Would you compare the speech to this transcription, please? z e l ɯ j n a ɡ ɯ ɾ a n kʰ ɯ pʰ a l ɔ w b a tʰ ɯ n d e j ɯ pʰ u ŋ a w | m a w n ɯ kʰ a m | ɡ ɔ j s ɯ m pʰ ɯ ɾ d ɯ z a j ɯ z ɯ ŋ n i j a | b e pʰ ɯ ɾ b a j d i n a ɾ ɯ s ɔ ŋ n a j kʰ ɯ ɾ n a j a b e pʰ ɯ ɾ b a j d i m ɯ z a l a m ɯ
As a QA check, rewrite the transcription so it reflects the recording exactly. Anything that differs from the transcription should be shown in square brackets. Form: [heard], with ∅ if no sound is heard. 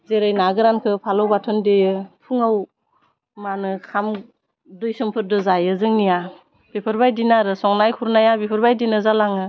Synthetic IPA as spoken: z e [ɾ] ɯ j n a ɡ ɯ ɾ a n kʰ ɯ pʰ a l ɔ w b a tʰ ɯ n d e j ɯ pʰ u ŋ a w | m a [∅] n ɯ kʰ a m | [d] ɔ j s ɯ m pʰ ɯ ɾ d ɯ z a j ɯ z ɯ ŋ n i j a | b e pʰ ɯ ɾ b a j d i n a ɾ ɯ s ɔ ŋ n a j kʰ [u] ɾ n a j a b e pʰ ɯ ɾ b a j d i [n] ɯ z a l a [ŋ] ɯ